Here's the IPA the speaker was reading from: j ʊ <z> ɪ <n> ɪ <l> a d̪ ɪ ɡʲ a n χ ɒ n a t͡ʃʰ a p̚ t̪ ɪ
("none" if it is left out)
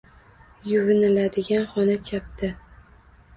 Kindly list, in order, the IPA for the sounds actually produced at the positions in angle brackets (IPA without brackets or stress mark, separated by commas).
v, n, l